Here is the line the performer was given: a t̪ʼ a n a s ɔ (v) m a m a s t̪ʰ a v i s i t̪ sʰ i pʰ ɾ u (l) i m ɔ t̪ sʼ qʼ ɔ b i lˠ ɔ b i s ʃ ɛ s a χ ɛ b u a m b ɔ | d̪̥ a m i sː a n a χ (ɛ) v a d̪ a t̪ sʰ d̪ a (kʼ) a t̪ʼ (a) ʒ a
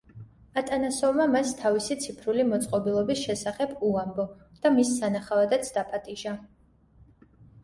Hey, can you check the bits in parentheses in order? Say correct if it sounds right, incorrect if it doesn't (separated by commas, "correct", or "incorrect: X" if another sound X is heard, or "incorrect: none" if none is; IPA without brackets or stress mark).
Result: correct, correct, incorrect: a, incorrect: pʼ, incorrect: i